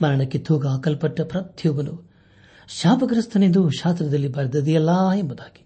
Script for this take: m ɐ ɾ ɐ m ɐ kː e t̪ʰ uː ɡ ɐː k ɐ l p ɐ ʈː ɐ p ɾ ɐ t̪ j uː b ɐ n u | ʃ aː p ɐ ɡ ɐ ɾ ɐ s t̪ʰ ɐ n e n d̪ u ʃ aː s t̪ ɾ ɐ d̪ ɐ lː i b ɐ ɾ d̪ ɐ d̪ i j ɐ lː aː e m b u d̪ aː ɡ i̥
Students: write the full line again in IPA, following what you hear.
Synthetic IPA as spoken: m ɐ ɾ ɐ ɳ ɐ kː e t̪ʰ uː ɡ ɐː k ɐ l p ɐ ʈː ɐ p ɾ ɐ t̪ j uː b ɐ n u | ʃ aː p ɐ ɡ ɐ ɾ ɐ s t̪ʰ ɐ n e n d̪ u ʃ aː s t̪ ɾ ɐ d̪ ɐ lː i b ɐ ɾ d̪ ɐ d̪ i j ɐ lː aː e m b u d̪ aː ɡ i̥